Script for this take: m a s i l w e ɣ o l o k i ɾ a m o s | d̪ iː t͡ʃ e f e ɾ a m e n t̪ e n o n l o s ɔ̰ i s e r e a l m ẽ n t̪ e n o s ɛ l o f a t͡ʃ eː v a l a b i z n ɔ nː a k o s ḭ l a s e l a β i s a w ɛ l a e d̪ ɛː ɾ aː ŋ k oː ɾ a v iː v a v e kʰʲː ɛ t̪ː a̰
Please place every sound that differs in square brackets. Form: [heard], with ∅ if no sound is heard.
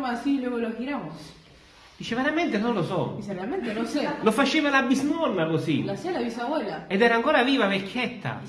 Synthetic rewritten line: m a s i l w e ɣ o l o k i ɾ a m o s | d̪ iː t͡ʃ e [v] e ɾ a m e n t̪ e n o n l o s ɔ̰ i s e r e a l m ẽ n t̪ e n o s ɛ l o f a t͡ʃ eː v a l a b i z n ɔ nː a k o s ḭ l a s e l a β i s a w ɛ l a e d̪ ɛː ɾ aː ŋ k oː ɾ a v iː v a v e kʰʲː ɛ t̪ː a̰